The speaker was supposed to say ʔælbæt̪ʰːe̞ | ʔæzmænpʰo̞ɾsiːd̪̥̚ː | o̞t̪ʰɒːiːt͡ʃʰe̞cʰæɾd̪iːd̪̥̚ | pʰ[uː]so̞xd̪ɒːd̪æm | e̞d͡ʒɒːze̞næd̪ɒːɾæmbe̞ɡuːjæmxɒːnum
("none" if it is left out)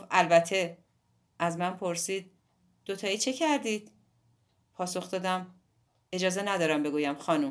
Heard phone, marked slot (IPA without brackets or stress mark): ɒː